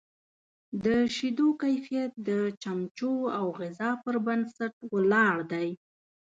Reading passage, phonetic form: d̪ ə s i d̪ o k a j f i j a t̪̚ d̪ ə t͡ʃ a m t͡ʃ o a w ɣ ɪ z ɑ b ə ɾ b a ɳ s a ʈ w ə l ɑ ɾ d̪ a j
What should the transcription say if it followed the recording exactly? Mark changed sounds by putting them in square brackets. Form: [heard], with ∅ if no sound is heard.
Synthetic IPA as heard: d̪ ə [ʃ] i d̪ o k a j f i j a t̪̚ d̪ ə t͡ʃ a m t͡ʃ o a w ɣ ɪ z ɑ [p] ə ɾ b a [n] s a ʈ w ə l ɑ [ɽ] d̪ a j